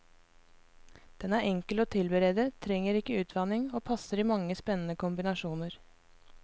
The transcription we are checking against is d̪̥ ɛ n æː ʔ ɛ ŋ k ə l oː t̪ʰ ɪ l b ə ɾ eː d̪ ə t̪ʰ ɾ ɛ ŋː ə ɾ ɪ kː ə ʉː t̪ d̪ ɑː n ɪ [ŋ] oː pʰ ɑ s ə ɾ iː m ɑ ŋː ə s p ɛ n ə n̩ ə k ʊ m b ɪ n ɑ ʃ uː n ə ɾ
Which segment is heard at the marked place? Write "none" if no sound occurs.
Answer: ŋ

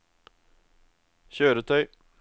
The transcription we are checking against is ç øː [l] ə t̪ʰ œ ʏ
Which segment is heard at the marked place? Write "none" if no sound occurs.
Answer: ɾ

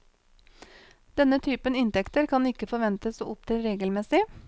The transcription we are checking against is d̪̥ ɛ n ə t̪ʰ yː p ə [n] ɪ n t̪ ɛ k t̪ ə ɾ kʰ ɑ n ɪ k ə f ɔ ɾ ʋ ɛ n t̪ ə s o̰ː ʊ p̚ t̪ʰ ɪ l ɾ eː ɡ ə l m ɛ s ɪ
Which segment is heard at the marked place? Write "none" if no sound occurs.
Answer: n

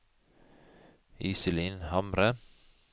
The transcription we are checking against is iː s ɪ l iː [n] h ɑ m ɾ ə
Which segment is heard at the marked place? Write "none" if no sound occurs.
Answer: n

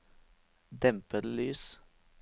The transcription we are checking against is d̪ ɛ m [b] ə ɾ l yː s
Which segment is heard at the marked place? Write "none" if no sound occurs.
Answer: p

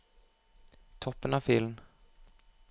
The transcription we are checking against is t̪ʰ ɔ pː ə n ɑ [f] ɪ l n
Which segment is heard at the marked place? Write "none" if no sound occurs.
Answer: f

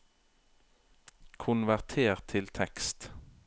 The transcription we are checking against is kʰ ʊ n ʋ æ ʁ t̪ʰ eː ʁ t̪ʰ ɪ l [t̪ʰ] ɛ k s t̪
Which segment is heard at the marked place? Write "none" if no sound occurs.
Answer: t̪ʰ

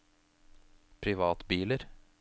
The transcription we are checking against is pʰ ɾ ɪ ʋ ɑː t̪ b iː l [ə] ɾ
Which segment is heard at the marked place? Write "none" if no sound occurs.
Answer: ə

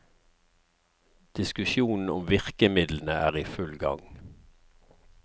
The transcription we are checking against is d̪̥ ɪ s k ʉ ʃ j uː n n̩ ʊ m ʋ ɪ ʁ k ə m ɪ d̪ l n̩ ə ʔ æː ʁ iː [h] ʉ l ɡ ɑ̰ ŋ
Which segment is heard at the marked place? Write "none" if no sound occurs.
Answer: f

